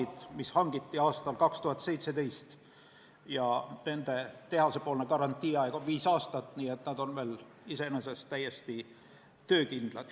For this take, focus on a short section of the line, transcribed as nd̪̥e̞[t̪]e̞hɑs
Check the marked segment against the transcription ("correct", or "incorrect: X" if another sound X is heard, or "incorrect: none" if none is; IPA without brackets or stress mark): correct